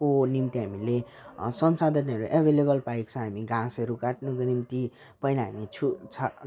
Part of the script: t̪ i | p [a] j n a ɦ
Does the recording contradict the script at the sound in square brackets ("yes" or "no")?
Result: yes